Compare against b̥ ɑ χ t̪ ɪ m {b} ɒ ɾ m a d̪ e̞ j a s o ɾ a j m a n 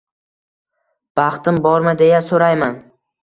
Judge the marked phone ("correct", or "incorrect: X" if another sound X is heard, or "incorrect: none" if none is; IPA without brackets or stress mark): correct